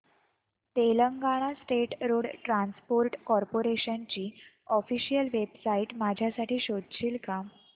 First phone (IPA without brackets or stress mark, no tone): t̪